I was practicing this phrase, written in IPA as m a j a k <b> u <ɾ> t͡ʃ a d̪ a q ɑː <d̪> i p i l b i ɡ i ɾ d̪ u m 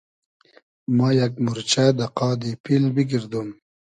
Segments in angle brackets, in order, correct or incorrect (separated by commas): incorrect, correct, correct